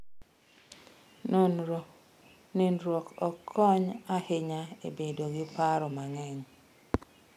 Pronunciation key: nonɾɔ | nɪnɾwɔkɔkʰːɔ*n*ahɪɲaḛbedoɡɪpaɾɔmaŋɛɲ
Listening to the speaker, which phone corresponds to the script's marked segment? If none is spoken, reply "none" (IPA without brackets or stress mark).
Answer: ɲ